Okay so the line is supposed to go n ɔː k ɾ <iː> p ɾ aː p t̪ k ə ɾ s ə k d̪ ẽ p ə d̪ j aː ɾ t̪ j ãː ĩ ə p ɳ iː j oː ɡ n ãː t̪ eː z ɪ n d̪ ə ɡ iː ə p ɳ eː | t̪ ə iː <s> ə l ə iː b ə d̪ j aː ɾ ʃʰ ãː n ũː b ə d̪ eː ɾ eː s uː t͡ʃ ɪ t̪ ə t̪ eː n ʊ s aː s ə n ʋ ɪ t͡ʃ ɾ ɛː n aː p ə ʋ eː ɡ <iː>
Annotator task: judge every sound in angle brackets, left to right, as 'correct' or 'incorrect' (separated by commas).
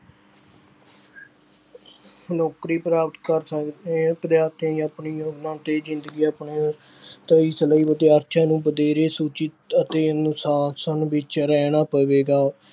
correct, correct, incorrect